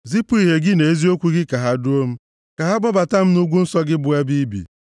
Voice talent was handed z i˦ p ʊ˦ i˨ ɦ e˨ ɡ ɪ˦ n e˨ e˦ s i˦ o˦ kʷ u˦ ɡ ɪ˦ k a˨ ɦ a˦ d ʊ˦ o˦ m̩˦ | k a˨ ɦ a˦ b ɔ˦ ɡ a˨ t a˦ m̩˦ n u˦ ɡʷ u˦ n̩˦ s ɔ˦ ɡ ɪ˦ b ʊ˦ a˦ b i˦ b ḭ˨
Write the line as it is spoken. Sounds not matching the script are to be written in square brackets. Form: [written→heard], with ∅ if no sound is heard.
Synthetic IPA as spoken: z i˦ p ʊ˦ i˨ ɦ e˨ ɡ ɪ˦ n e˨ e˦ [s→z] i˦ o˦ kʷ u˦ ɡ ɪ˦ k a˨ ɦ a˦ d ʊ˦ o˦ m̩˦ | k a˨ ɦ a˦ b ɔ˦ [ɡ→b] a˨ t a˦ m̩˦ n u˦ ɡʷ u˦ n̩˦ s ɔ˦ ɡ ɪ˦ b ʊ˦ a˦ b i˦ b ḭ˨